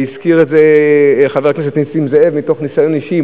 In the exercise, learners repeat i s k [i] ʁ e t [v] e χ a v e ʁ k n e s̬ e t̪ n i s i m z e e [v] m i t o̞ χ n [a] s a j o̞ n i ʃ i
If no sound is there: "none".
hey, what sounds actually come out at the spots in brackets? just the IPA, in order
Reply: i, z, v, i

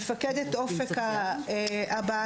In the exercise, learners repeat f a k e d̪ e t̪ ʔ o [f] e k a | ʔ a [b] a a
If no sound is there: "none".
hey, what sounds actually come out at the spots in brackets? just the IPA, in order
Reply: f, b

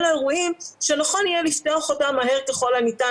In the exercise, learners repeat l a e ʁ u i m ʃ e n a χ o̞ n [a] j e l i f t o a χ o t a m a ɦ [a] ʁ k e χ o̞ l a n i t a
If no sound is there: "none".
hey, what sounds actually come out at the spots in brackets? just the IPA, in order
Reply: i, e

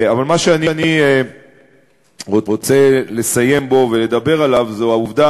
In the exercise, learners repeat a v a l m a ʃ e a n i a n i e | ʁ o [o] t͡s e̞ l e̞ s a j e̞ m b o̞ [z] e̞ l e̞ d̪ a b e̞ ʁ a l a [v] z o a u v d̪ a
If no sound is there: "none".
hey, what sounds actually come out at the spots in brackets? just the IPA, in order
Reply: o, v, v

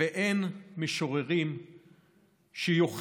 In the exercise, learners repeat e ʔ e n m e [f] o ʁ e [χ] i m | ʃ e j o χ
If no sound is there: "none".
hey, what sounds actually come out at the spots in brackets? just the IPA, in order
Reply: ʃ, ʁ

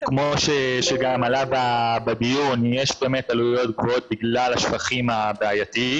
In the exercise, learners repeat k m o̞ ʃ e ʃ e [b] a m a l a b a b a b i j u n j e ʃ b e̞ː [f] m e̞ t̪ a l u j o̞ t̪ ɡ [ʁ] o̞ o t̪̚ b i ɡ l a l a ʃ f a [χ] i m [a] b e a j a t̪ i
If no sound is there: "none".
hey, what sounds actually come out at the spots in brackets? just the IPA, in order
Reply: ɡ, none, v, χ, a

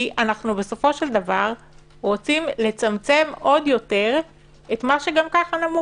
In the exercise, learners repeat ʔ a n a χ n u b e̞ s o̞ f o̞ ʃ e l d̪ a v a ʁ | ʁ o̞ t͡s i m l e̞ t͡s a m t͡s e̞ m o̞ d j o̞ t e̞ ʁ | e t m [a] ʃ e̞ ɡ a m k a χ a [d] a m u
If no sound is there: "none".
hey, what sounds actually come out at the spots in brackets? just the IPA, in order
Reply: a, n

